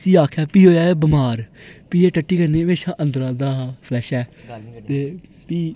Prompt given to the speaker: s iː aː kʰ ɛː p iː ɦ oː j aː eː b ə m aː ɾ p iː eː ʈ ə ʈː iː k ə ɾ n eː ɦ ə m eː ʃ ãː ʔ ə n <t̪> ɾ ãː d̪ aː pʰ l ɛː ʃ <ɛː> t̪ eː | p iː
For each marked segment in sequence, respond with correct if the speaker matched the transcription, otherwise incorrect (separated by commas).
incorrect, correct